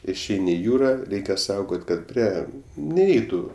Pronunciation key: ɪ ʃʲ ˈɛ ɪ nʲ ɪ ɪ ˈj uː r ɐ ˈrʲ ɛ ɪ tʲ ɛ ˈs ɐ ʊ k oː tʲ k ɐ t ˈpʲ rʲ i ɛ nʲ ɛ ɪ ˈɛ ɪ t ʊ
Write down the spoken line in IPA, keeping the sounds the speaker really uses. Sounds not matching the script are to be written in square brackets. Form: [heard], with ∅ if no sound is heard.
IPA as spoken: ɪ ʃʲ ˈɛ ɪ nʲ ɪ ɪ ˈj uː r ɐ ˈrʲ ɛ ɪ [kʲ] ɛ ˈs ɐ ʊ [ɡ] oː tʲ k ɐ t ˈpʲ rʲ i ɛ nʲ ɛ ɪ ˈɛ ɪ t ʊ